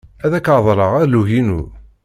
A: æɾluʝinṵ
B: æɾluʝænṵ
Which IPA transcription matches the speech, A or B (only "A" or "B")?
A